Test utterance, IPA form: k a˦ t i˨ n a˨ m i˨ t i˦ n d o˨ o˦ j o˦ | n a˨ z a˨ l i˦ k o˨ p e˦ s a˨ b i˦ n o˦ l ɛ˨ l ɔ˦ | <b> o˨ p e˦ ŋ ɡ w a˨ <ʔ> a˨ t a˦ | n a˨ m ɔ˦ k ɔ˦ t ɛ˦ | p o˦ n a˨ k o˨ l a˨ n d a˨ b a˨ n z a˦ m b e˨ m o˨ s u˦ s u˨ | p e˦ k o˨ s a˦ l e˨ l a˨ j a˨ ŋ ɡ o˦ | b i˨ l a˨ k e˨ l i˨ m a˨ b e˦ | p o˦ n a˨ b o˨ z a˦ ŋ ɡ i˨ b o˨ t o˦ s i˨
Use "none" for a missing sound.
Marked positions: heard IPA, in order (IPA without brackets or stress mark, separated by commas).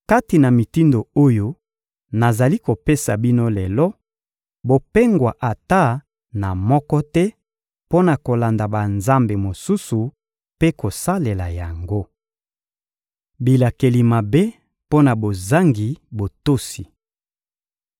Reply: b, ʔ